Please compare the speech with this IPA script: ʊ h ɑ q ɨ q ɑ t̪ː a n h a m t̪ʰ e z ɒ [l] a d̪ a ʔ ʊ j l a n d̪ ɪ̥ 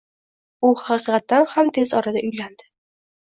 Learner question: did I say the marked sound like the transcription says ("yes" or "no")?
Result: no